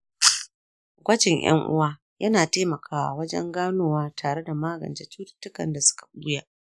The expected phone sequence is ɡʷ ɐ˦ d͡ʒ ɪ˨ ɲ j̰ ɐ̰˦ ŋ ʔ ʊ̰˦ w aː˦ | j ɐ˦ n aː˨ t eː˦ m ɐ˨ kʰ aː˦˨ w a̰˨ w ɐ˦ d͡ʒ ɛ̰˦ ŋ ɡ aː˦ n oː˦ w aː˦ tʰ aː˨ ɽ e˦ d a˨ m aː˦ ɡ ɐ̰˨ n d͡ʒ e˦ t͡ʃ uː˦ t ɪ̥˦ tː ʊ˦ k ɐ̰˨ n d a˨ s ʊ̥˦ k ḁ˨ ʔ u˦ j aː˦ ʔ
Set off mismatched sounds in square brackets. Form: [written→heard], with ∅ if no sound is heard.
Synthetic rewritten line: ɡʷ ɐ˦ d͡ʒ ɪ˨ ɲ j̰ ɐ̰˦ ŋ ʔ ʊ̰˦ w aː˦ | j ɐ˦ n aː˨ t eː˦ m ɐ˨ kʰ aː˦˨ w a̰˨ w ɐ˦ d͡ʒ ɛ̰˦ ŋ ɡ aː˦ n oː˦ w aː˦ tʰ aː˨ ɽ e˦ d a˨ m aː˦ ɡ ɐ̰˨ n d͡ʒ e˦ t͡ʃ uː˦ t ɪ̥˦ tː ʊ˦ k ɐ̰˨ n d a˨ s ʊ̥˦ k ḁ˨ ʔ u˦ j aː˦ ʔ